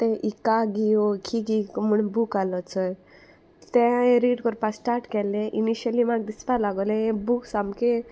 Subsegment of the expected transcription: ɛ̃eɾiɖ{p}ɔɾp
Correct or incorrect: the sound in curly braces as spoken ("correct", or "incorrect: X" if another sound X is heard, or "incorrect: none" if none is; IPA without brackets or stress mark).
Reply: incorrect: k